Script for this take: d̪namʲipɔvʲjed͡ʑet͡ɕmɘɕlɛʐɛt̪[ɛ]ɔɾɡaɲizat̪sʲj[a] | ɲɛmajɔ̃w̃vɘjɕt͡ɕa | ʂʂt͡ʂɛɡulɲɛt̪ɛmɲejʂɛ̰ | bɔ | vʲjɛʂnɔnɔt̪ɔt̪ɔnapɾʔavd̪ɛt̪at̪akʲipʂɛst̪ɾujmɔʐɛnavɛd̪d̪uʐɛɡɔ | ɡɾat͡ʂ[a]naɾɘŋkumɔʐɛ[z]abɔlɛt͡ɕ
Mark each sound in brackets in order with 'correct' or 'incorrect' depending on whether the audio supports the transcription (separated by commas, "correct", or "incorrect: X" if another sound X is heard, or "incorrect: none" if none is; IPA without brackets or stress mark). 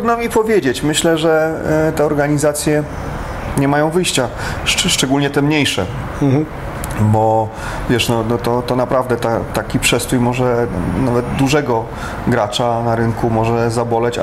correct, incorrect: ɛ, correct, correct